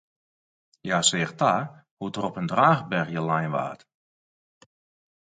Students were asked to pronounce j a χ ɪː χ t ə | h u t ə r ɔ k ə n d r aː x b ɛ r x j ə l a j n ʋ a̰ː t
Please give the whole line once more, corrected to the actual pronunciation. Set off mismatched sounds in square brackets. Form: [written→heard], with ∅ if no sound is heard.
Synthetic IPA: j a [χ→s] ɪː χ t [ə→a] | h u t ə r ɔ [k→p] ə n d r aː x b ɛ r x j ə l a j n ʋ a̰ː t